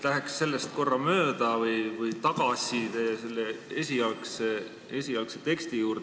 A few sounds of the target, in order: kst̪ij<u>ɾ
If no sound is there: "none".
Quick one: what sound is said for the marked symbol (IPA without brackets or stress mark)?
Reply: uː